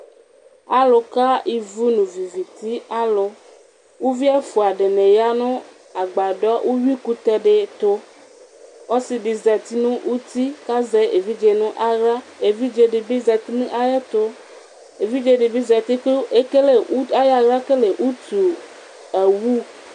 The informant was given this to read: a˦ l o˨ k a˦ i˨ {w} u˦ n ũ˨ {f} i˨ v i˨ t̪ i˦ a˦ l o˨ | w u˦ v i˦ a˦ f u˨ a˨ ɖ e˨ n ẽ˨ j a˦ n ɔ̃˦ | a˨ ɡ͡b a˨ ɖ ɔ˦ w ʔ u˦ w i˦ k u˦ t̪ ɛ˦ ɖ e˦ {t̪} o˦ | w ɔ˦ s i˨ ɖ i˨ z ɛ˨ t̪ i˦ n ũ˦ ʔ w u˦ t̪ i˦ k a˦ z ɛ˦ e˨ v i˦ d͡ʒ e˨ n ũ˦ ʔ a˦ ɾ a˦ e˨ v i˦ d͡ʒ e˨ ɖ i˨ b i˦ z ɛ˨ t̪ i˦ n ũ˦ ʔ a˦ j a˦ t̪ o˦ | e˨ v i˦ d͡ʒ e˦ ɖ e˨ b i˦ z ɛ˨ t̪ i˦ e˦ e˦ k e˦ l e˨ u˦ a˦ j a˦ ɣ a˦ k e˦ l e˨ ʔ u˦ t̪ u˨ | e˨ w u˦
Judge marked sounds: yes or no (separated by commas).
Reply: no, no, yes